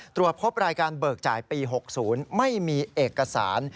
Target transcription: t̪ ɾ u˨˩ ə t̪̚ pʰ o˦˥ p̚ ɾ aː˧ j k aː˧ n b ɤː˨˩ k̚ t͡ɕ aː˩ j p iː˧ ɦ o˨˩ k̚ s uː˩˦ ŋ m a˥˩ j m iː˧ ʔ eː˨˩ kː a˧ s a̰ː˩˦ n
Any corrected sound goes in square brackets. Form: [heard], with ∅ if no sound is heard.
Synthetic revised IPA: t̪ ɾ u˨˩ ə t̪̚ pʰ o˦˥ p̚ ɾ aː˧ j k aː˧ n b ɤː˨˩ k̚ t͡ɕ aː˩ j p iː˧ ɦ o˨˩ k̚ s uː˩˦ [n] m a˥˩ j m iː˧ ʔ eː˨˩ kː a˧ s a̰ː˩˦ n